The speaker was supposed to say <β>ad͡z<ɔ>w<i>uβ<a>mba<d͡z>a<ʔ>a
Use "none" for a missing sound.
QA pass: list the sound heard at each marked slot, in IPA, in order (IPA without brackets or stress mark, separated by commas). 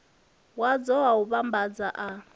w, ɔ, a, a, d͡z, ʔ